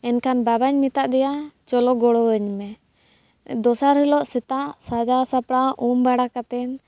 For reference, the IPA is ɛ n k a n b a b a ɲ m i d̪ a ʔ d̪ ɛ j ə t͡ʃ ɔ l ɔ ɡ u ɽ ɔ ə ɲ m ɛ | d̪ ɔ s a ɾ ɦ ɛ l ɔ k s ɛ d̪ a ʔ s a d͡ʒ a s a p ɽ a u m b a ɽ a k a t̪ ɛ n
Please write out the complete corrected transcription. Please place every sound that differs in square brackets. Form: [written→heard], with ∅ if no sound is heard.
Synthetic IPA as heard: ɛ n k a n b a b a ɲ m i [d̪→t̪] a ʔ d̪ ɛ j [ə→a] t͡ʃ ɔ l ɔ ɡ [u→ɔ] ɽ ɔ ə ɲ m ɛ | d̪ ɔ s a ɾ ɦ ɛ l ɔ [k→ʔ] s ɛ [d̪→t̪] a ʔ s a d͡ʒ a s a p ɽ a u m b a ɽ a k a t̪ ɛ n